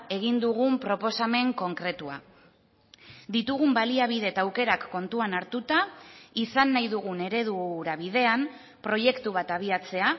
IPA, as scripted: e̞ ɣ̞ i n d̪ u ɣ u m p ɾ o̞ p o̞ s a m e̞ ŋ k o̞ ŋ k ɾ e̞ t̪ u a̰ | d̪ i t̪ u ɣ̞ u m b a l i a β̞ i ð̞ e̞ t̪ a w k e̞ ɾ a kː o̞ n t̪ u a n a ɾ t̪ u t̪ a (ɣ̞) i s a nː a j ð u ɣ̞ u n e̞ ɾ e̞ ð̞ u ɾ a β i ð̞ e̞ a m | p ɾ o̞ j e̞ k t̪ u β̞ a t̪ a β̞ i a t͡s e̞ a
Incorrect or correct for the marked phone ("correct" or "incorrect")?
incorrect